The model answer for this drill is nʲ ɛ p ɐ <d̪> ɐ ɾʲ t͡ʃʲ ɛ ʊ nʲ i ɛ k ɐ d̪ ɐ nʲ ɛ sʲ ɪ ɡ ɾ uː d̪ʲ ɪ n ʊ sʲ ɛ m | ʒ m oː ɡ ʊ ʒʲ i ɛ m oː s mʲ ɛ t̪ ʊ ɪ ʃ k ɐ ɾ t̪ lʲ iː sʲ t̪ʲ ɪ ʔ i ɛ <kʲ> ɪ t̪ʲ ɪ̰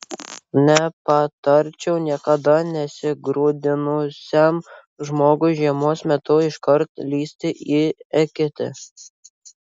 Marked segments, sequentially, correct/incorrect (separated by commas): incorrect, correct